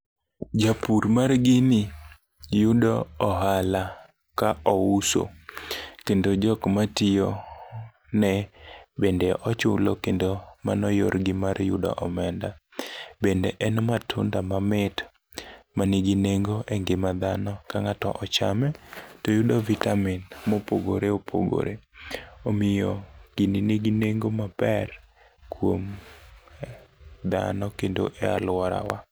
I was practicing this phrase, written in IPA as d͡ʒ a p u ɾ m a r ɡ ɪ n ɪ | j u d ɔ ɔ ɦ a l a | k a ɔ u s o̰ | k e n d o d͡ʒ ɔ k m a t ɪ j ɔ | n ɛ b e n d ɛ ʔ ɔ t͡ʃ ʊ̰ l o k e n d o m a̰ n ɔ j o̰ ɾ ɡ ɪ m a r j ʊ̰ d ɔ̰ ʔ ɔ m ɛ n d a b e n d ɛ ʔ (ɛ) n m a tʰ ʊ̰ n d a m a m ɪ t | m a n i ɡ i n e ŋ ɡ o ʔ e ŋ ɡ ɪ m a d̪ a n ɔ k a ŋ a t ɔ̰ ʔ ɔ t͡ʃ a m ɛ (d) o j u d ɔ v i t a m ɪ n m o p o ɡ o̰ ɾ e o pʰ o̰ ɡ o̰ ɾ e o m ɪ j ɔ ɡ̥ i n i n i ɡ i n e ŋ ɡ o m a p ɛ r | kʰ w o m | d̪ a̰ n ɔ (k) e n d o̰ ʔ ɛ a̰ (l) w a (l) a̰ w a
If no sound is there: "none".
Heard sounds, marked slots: ɛ, t, k, l, ɾ

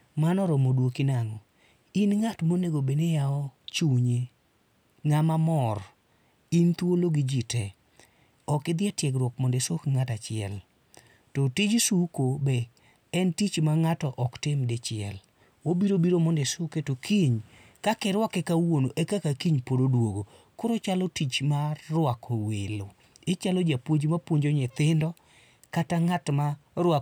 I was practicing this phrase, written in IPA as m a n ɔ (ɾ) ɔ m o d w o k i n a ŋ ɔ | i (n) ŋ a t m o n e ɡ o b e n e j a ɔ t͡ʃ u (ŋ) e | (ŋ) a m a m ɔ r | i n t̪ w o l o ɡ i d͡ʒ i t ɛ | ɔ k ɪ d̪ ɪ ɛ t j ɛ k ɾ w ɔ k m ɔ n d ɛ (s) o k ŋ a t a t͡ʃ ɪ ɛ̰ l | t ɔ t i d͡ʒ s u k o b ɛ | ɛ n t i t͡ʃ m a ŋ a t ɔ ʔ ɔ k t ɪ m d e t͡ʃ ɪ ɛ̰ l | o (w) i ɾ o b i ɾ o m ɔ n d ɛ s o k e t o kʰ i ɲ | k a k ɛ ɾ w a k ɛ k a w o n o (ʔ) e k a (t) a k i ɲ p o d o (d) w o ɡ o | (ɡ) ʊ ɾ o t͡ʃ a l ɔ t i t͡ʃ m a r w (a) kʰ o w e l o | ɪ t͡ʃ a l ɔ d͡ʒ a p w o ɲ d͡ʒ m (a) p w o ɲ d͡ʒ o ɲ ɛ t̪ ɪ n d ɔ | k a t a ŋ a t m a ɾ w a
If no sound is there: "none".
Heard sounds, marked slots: ɾ, n, ɲ, ŋ, s, b, ʔ, k, d, k, a, a

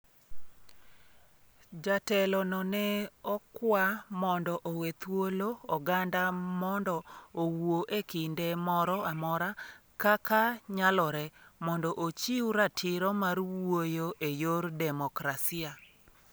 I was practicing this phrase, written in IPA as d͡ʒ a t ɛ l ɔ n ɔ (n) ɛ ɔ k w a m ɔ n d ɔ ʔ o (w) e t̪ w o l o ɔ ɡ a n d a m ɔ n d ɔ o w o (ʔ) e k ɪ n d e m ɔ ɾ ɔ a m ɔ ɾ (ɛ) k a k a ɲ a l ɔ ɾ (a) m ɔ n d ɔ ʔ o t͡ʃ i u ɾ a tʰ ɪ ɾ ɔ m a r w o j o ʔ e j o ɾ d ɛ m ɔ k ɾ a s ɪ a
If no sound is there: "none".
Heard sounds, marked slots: n, w, ʔ, a, ɛ

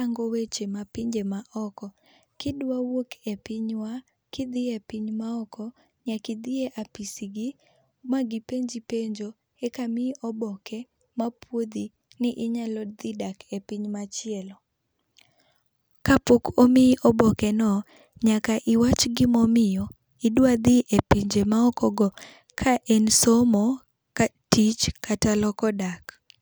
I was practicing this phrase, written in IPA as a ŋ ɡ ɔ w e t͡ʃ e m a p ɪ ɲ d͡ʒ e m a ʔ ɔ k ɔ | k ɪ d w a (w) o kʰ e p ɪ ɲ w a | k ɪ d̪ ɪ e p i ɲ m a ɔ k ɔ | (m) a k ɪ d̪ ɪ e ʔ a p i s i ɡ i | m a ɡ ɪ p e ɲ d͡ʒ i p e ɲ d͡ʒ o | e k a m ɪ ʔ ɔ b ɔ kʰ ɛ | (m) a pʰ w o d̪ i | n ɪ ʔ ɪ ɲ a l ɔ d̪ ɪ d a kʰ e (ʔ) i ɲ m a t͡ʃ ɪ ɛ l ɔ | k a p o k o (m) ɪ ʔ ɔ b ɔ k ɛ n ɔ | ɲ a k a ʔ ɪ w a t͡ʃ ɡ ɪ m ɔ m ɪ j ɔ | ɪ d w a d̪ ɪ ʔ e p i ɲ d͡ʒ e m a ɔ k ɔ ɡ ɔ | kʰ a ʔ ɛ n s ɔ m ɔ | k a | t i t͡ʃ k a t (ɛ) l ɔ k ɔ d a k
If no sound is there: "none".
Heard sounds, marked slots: w, ɲ, m, p, m, a

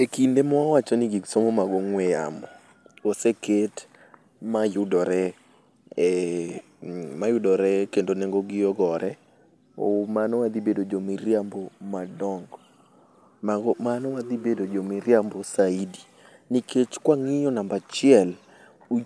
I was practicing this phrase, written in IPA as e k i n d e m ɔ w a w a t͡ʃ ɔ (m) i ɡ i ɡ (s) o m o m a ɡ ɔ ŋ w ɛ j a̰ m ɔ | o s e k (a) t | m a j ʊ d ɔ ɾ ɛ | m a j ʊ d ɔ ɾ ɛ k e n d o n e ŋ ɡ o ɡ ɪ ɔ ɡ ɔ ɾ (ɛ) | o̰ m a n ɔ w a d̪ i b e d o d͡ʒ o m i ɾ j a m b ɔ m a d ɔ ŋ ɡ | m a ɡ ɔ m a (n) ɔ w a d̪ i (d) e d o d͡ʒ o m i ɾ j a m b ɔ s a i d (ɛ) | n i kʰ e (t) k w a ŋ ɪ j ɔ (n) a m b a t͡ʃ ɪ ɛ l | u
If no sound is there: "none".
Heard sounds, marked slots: n, s, e, ɛ, n, b, i, t͡ʃ, n

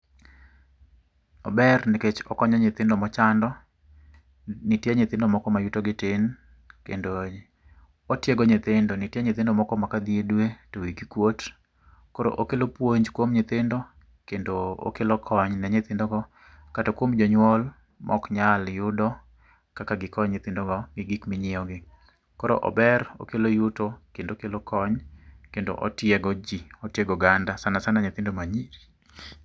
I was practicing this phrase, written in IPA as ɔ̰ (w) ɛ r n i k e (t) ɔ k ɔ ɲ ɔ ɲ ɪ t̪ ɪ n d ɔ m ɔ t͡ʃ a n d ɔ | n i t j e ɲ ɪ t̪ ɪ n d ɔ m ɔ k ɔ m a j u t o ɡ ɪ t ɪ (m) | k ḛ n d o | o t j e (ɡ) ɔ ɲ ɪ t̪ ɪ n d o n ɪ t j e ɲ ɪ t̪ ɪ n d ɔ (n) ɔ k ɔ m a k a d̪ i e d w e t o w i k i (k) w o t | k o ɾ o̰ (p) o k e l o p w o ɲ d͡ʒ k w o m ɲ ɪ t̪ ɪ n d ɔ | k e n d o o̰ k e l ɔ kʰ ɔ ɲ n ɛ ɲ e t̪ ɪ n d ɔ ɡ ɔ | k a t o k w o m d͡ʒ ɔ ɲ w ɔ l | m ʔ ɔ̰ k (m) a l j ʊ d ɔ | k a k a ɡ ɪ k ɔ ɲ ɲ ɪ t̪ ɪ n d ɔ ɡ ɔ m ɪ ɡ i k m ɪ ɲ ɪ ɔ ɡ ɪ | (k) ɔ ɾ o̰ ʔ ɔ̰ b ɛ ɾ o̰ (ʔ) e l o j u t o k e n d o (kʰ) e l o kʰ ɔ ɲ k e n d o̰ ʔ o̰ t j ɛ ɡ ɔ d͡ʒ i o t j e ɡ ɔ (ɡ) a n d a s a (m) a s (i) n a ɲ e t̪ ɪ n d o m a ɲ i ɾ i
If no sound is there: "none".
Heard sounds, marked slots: b, t͡ʃ, n, ɡ, m, k, ʔ, ɲ, k, k, k, ɡ, n, a

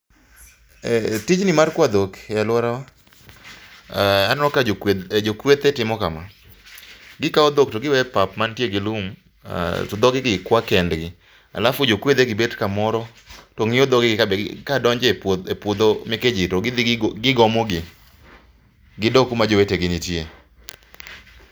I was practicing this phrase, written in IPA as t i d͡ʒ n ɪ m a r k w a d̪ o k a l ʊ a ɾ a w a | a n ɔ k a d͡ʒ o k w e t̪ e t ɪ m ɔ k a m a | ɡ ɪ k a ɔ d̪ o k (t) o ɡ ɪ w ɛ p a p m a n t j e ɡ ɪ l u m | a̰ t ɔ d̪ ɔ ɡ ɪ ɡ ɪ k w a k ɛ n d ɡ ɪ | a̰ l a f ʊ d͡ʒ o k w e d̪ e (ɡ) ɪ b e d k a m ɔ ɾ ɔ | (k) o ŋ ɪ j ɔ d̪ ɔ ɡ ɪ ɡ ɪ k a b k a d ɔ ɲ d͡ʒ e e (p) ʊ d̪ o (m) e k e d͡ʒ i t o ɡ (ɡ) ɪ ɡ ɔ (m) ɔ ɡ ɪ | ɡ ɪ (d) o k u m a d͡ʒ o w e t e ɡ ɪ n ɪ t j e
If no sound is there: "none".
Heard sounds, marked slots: t, ɡ, t, p, m, ɡ, m, d

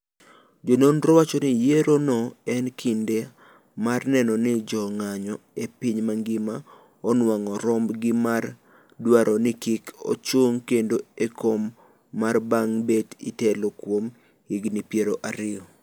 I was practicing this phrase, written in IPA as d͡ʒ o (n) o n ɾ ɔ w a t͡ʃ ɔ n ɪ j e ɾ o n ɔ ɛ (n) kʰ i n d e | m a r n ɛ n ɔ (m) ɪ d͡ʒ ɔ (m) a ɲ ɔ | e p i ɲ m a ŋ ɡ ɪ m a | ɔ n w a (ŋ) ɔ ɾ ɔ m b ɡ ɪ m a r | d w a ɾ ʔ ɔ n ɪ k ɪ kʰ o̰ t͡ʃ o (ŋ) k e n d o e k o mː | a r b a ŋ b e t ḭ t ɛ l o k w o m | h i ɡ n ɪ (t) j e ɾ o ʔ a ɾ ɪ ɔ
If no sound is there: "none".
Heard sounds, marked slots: n, n, n, ŋ, ŋ, ŋ, p

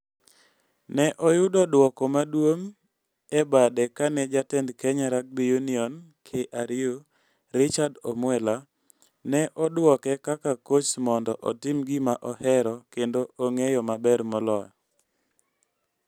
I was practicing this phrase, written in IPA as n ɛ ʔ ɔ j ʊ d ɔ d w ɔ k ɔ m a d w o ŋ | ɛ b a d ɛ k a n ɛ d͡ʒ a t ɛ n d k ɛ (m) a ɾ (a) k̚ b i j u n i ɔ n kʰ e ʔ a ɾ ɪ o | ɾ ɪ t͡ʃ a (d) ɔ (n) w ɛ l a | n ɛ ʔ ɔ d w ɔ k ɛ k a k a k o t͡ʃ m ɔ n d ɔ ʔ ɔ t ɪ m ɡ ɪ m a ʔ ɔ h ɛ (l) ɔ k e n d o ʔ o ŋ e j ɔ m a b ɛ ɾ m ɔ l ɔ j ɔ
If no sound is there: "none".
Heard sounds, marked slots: ɲ, a, d, m, ɾ

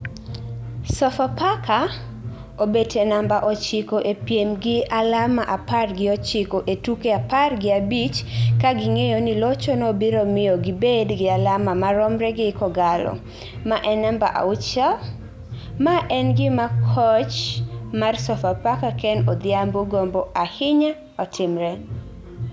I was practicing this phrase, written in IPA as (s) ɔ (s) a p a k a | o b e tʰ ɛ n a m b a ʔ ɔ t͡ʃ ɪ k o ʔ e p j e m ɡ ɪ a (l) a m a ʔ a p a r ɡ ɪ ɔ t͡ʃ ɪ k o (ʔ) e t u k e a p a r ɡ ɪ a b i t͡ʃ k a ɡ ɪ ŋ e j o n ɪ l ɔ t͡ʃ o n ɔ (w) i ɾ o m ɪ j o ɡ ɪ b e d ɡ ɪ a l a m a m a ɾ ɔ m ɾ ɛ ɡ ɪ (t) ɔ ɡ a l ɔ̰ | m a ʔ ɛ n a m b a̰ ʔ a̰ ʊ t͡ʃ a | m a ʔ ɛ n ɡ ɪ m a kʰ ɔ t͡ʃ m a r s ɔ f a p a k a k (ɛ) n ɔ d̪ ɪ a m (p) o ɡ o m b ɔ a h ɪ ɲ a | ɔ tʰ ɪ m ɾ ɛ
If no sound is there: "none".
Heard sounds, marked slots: s, f, l, ʔ, b, k, ɛ, b

